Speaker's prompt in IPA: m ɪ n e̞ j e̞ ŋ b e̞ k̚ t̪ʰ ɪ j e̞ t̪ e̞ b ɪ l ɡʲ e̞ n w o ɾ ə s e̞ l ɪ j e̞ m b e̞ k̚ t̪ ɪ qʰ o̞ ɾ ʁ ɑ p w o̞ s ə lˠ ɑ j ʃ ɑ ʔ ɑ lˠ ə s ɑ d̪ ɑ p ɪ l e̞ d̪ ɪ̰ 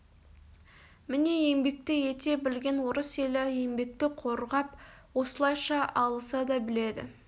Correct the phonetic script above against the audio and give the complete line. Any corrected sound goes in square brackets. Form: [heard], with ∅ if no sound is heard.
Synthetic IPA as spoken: m ɪ n e̞ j e̞ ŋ b e̞ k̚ [t̪] ɪ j e̞ t̪ e̞ b ɪ l ɡʲ e̞ n w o ɾ ə s e̞ l ɪ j e̞ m b e̞ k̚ t̪ ɪ qʰ o̞ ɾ ʁ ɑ p w o̞ s ə lˠ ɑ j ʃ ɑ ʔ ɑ lˠ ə s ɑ d̪ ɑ [b] ɪ l e̞ d̪ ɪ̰

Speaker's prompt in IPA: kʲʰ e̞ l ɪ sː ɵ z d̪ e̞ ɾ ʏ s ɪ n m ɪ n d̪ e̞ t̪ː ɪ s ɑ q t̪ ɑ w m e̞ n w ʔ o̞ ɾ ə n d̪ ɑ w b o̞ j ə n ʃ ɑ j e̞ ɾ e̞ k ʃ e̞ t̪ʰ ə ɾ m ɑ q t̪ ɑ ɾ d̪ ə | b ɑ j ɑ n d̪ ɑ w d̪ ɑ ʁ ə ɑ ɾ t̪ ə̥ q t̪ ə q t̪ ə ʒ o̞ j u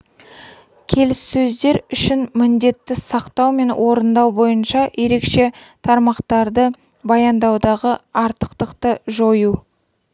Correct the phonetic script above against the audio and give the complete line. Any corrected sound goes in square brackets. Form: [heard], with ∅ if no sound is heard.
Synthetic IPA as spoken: kʲʰ e̞ l ɪ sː ɵ z d̪ e̞ ɾ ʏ [ʃ] ɪ n m ɪ n d̪ e̞ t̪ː ɪ s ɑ q t̪ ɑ w m e̞ n w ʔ o̞ ɾ ə n d̪ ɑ w b o̞ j ə n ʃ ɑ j e̞ ɾ e̞ k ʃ e̞ t̪ʰ [ɑ] ɾ m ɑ q t̪ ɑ ɾ d̪ ə | b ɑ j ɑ n d̪ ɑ w d̪ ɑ ʁ ə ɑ ɾ t̪ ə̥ q t̪ ə q t̪ ə ʒ o̞ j u

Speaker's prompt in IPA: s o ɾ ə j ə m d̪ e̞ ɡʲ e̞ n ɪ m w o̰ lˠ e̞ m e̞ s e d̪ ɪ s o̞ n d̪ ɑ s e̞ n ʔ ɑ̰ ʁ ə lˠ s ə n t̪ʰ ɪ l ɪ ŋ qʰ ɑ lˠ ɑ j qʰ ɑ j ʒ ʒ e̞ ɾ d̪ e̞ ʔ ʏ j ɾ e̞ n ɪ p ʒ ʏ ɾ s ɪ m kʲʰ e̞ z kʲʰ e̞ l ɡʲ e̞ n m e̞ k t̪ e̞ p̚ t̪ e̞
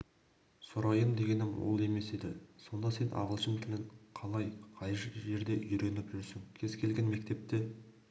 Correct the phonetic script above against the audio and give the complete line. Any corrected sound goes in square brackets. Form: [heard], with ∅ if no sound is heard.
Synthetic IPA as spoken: s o ɾ [ɑ] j ə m d̪ e̞ ɡʲ e̞ n ɪ m w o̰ lˠ e̞ m e̞ s e d̪ ɪ s o̞ n d̪ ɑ s e̞ n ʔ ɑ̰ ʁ ə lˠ [ʃ] ə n t̪ʰ ɪ l ɪ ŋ qʰ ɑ lˠ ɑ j qʰ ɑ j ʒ ʒ e̞ ɾ d̪ e̞ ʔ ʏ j ɾ e̞ n ɪ p ʒ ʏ ɾ s ɪ [ŋ] kʲʰ e̞ z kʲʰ e̞ l ɡʲ e̞ n m e̞ k t̪ e̞ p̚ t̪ e̞

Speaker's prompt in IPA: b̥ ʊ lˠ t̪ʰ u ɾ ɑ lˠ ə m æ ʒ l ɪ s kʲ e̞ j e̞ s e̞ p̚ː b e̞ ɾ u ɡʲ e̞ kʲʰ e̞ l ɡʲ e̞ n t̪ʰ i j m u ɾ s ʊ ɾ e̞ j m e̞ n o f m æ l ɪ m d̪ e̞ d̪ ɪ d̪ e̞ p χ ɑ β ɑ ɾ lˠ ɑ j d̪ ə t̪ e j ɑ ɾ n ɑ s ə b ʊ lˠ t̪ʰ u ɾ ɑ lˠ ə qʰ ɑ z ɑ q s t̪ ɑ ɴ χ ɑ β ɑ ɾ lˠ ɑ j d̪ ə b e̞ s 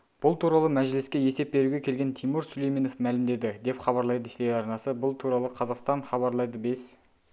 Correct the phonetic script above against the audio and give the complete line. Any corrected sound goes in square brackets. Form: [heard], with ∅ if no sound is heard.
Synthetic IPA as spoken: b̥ ʊ lˠ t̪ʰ u ɾ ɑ lˠ ə m æ ʒ l ɪ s kʲ e̞ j e̞ s e̞ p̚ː b e̞ ɾ u ɡʲ e̞ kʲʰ e̞ l ɡʲ e̞ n t̪ʰ i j m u ɾ s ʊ [l] e̞ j m e̞ n o f m æ l ɪ m d̪ e̞ d̪ ɪ d̪ e̞ p χ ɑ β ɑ ɾ lˠ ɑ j d̪ ə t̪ e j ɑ ɾ n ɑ s ə b ʊ lˠ t̪ʰ u ɾ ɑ lˠ ə qʰ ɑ z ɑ q s t̪ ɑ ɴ χ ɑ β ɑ ɾ lˠ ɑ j d̪ ə b e̞ s

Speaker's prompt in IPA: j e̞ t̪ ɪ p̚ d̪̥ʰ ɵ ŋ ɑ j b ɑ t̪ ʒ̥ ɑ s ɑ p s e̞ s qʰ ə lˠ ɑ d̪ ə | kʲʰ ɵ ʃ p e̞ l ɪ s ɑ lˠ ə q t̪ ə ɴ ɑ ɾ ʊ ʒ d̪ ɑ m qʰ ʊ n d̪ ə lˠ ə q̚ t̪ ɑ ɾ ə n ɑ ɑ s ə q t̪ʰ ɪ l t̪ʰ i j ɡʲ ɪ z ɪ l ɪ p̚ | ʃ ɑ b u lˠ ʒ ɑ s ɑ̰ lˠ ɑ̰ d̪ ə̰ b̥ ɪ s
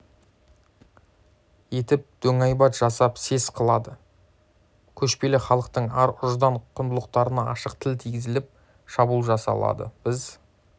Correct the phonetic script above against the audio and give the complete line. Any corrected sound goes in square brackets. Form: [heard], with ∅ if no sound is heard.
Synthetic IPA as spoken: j e̞ t̪ ɪ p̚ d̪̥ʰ ɵ ŋ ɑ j b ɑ t̪ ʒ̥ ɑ s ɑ p s e̞ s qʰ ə lˠ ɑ d̪ ə | kʲʰ ɵ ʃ p e̞ l ɪ [χ] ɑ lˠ ə q t̪ ə ɴ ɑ ɾ ʊ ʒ d̪ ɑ [ɴ] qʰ ʊ n d̪ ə lˠ ə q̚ t̪ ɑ ɾ ə n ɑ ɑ [ʃ] ə q t̪ʰ ɪ l t̪ʰ i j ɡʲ ɪ z ɪ l ɪ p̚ | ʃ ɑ b u lˠ ʒ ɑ s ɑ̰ lˠ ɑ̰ d̪ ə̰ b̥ ɪ [z]

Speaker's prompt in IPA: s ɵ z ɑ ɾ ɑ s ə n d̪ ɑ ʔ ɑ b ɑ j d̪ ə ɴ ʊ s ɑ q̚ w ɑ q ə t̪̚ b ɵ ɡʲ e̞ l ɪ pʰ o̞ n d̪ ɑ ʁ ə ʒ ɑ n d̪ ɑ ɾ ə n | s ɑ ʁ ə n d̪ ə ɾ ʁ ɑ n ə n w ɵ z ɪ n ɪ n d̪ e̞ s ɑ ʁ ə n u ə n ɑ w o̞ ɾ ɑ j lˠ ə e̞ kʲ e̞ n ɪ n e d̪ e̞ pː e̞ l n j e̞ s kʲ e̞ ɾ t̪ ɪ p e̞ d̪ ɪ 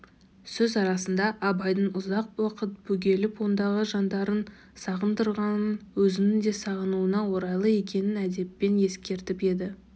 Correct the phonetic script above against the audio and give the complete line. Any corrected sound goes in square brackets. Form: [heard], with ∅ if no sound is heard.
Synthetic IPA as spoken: s ɵ z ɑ ɾ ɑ s ə n d̪ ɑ ʔ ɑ b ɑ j d̪ ə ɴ ʊ [z] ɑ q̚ w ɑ q ə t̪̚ b ɵ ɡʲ e̞ l ɪ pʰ o̞ n d̪ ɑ ʁ ə ʒ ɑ n d̪ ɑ ɾ ə n | s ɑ ʁ ə n d̪ ə ɾ ʁ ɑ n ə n w ɵ z ɪ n ɪ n d̪ e̞ s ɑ ʁ ə n u ə n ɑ w o̞ ɾ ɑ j lˠ ə e̞ kʲ e̞ n ɪ n [æ] d̪ e̞ pː e̞ [∅] n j e̞ s kʲ e̞ ɾ t̪ ɪ p e̞ d̪ ɪ

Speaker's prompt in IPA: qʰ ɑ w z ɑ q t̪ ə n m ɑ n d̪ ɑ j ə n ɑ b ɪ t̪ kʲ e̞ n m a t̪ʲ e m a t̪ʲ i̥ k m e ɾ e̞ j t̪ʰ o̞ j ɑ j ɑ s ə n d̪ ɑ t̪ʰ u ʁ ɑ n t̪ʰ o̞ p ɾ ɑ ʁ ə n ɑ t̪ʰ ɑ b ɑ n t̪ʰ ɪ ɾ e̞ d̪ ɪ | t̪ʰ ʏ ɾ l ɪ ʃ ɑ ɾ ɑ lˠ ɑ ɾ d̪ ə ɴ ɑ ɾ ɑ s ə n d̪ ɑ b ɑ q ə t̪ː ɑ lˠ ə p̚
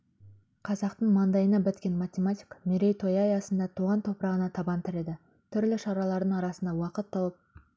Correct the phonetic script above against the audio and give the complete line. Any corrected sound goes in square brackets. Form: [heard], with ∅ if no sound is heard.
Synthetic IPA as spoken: qʰ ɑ [∅] z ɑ q t̪ ə [ɴ] m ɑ n d̪ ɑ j ə n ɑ b ɪ t̪ kʲ e̞ n m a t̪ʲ e m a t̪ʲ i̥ k m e ɾ e̞ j t̪ʰ o̞ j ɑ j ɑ s ə n d̪ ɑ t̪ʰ u ʁ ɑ n t̪ʰ o̞ p ɾ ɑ ʁ ə n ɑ t̪ʰ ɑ b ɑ n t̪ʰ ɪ ɾ e̞ d̪ ɪ | t̪ʰ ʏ ɾ l ɪ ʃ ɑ ɾ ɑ lˠ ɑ ɾ d̪ ə ɴ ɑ ɾ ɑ s ə n d̪ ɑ [w] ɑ q ə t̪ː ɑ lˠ ə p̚

